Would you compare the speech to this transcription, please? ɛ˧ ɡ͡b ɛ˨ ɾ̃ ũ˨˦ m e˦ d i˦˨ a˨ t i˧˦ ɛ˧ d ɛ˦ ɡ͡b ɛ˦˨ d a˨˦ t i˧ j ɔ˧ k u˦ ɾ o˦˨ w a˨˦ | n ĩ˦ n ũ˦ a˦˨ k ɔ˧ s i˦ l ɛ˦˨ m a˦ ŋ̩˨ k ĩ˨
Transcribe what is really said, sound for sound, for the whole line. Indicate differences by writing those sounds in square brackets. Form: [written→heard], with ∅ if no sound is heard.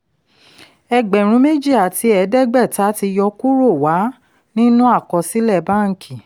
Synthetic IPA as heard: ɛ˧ ɡ͡b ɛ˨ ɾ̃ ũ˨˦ m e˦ [d→d͡ʒ] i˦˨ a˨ t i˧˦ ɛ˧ d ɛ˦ ɡ͡b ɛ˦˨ [d→t] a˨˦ t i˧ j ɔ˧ k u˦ ɾ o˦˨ w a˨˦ | n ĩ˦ n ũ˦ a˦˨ k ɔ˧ s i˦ l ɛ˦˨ [m→b] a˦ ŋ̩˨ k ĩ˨

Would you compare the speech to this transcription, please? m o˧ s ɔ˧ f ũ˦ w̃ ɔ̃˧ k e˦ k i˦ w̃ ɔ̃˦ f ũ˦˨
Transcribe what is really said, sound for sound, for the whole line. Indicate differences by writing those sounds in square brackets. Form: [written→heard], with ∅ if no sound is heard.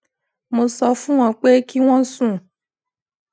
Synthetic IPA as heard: m o˧ s ɔ˧ f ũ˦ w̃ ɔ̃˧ [k→k͡p] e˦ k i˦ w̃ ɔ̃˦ [f→s] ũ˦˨

